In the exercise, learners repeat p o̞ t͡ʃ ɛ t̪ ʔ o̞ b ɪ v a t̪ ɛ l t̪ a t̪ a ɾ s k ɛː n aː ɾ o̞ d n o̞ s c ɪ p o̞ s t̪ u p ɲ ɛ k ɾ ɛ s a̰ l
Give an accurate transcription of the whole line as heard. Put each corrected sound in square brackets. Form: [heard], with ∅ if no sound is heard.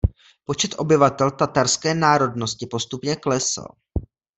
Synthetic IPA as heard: p o̞ t͡ʃ ɛ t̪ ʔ o̞ b ɪ v a t̪ ɛ l t̪ a t̪ a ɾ s k ɛː n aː ɾ o̞ d n o̞ s c ɪ p o̞ s t̪ u p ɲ ɛ k [l] ɛ s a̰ l